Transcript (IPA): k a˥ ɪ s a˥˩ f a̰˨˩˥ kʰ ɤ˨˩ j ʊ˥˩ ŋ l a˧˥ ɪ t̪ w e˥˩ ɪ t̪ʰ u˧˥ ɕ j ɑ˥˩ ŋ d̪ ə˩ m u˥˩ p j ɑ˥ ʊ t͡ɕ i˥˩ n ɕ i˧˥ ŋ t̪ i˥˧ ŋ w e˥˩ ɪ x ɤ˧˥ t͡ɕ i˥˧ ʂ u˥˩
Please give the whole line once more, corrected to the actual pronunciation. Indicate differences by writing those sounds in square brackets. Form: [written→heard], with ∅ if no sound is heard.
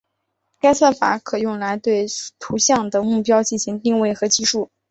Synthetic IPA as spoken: k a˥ ɪ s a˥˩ f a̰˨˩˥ kʰ ɤ˨˩ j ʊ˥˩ ŋ l a˧˥ ɪ t̪ w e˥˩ ɪ t̪ʰ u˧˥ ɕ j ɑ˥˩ ŋ d̪ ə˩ m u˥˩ p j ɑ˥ ʊ t͡ɕ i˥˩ n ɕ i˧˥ ŋ t̪ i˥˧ ŋ w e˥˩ ɪ x ɤ˧˥ t͡ɕ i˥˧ ʂ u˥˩